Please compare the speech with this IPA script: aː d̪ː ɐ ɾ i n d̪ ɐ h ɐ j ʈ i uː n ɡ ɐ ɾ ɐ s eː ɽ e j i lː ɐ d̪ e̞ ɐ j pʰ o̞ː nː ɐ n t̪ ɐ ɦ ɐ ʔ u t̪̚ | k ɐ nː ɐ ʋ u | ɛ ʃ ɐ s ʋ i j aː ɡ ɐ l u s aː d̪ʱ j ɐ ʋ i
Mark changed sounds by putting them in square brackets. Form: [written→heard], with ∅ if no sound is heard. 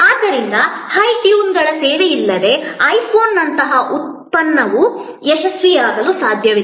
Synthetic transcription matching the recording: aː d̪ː ɐ ɾ i n d̪ ɐ h ɐ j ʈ [i→j] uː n ɡ ɐ [ɾ→ɭ] ɐ s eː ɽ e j i lː ɐ d̪ e̞ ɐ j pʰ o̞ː nː ɐ n t̪ ɐ ɦ ɐ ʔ u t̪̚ | [k→p] ɐ nː ɐ ʋ u | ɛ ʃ ɐ s ʋ i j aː ɡ ɐ l u s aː d̪ʱ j ɐ ʋ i

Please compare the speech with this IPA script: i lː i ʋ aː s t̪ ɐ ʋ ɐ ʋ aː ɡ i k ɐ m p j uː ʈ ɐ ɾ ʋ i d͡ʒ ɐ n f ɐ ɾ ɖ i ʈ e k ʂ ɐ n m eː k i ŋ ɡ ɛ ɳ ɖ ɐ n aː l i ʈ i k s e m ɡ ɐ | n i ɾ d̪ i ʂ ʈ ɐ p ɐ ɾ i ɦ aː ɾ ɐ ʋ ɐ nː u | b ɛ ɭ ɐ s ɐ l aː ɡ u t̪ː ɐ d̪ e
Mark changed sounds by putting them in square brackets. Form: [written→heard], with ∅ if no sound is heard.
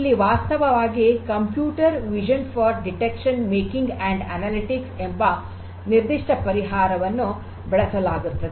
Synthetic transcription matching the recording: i lː i ʋ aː s t̪ ɐ ʋ ɐ ʋ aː ɡ i k ɐ m p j uː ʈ ɐ ɾ ʋ i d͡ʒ ɐ n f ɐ ɾ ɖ i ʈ e k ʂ ɐ n m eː k i ŋ ɡ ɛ ɳ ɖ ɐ n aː l i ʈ i k s e m [ɡ→b] ɐ | n i ɾ d̪ i ʂ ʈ ɐ p ɐ ɾ i ɦ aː ɾ ɐ ʋ ɐ nː u | b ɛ ɭ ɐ s ɐ l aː ɡ u t̪ː ɐ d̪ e

